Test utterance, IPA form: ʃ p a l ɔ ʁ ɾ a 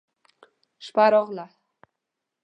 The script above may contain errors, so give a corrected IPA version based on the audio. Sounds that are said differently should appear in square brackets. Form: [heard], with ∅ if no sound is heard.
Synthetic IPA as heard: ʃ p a [ɾ] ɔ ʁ [l] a